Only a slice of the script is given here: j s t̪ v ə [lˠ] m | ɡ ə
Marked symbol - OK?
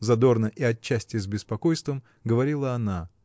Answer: no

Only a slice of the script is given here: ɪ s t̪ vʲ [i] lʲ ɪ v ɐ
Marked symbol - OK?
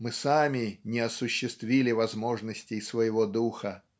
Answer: yes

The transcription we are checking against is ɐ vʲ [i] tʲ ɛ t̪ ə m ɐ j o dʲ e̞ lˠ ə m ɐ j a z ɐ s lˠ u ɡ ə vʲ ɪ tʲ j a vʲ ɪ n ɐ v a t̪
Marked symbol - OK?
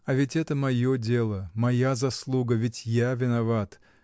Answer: no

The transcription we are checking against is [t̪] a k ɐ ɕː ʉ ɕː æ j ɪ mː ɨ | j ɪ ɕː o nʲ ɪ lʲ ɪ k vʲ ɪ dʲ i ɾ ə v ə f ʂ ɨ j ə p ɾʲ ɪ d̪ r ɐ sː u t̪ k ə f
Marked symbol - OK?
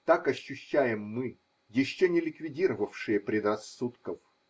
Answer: yes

